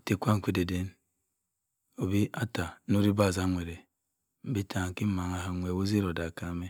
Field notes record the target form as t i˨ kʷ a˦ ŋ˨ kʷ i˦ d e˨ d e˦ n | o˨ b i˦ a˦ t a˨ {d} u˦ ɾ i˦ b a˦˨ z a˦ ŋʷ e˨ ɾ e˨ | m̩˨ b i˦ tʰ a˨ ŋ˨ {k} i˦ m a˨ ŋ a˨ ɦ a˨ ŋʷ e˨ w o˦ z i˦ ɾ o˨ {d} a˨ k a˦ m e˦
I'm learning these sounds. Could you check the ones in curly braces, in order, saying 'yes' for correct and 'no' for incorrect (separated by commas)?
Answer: no, yes, yes